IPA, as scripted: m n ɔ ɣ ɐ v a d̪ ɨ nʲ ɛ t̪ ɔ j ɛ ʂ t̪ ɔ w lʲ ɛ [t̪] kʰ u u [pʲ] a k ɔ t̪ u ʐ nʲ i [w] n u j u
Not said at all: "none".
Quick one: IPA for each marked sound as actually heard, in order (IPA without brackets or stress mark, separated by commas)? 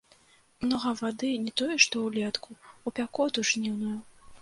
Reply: t̪, pʲ, w